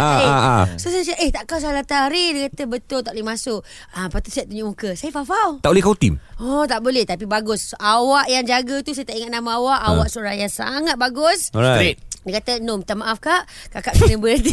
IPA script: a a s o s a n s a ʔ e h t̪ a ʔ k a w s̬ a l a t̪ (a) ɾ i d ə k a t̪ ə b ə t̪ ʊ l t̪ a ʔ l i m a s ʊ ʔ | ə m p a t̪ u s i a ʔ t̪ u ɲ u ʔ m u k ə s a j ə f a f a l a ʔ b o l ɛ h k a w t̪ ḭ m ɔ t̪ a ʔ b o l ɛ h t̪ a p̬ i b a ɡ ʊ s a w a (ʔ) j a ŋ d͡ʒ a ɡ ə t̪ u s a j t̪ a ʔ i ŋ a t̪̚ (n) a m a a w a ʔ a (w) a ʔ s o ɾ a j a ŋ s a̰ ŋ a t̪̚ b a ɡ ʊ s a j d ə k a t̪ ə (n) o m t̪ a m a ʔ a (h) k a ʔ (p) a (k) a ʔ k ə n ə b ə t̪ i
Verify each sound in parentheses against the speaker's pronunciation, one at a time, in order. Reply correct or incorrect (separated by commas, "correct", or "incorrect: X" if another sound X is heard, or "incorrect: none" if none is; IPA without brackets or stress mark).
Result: correct, correct, correct, correct, correct, incorrect: f, incorrect: k, correct